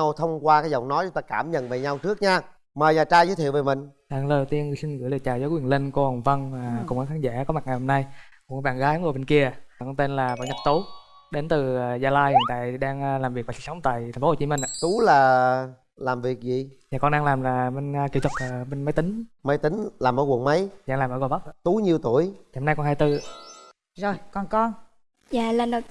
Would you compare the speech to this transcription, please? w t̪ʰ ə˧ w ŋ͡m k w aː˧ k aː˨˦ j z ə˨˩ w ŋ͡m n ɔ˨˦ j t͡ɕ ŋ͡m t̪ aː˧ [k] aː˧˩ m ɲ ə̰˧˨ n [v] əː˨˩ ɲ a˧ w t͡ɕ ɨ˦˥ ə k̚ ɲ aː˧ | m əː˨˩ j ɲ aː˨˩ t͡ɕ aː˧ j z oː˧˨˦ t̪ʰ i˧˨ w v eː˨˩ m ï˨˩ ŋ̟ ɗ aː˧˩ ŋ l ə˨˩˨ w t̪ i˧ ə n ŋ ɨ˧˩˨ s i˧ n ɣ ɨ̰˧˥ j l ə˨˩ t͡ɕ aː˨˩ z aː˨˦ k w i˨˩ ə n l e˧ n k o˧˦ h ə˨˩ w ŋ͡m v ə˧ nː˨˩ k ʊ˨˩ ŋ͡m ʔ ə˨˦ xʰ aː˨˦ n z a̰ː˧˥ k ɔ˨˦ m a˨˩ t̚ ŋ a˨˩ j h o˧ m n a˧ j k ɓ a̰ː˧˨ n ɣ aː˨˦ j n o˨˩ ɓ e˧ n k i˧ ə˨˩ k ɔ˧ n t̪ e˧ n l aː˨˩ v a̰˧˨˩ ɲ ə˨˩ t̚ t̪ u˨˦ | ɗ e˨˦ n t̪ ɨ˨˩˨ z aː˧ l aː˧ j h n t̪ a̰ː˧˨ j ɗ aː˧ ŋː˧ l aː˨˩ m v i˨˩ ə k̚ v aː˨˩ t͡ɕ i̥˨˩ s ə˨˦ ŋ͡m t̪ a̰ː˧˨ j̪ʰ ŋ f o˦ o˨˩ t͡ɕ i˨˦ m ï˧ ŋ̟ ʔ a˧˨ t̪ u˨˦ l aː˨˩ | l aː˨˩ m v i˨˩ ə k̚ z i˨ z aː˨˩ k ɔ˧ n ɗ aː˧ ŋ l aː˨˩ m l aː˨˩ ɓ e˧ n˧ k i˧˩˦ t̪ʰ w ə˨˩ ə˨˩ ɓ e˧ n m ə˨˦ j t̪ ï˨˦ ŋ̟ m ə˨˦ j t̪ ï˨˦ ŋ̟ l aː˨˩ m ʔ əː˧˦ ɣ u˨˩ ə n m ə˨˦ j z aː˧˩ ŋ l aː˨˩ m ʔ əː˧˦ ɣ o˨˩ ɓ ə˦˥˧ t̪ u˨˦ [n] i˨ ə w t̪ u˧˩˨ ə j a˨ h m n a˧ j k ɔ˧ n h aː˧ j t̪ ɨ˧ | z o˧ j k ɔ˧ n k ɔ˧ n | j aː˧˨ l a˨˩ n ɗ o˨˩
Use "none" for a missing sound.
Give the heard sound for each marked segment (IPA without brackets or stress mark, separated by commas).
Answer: k, v, ɲ